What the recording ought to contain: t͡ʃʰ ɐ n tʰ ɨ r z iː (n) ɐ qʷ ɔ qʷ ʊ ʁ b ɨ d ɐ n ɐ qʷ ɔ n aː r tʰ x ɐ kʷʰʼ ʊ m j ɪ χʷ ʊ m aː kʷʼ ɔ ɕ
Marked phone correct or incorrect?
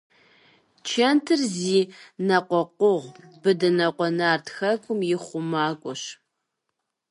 correct